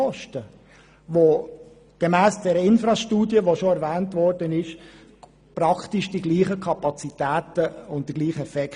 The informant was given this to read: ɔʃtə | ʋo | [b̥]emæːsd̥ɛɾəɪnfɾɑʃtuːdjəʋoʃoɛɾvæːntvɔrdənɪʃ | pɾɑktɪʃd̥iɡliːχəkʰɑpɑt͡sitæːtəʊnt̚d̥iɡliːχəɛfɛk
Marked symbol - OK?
no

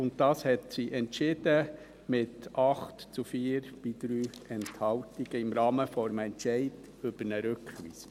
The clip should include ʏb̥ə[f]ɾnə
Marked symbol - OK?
no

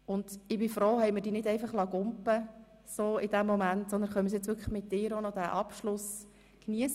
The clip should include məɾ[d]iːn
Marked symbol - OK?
yes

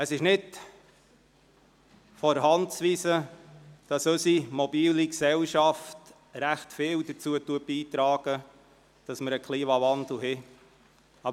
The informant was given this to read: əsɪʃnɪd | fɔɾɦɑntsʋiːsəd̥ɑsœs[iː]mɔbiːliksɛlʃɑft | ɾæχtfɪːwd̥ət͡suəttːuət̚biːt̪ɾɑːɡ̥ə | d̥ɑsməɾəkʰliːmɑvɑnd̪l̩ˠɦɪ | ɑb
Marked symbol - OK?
no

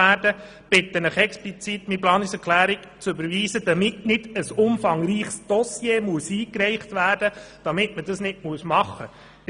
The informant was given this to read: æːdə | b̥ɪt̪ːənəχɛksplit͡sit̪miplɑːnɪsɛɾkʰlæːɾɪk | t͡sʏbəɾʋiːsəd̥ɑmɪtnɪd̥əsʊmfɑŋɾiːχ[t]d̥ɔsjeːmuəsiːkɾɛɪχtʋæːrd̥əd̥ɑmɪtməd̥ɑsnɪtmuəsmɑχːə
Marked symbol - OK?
no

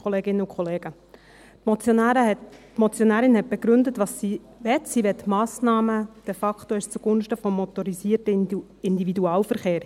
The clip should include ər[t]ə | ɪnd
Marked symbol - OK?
yes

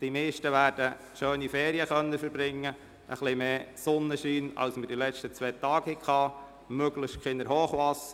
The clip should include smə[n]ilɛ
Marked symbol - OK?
no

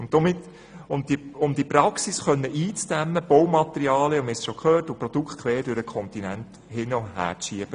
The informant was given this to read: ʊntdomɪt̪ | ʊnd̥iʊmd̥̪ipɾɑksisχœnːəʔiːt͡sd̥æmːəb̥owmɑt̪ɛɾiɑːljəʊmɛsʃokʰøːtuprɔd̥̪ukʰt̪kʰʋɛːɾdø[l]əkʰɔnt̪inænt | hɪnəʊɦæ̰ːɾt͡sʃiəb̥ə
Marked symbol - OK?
no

